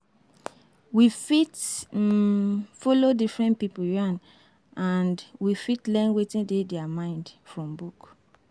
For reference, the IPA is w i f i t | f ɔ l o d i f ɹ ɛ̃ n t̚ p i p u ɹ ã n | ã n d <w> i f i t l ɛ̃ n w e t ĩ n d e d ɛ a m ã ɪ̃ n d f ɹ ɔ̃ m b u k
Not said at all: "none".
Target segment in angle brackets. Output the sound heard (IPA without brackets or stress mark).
w